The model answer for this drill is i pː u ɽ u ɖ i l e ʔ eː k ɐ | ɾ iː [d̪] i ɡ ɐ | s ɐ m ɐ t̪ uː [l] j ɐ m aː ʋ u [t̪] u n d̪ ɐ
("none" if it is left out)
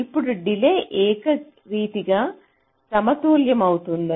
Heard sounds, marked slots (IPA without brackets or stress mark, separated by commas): t̪, l, t̪